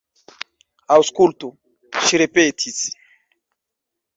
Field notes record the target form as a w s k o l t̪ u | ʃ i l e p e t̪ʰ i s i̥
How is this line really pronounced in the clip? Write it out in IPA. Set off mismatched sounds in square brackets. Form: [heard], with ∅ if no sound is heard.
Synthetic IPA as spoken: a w s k [u] l t̪ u | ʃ i [ɾ] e p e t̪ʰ i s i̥